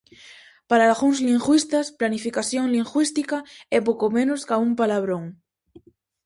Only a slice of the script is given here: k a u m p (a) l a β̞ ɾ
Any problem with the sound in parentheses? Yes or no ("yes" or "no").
no